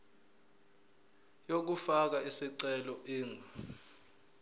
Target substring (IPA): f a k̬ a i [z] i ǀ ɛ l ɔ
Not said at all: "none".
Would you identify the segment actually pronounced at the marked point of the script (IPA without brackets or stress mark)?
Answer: s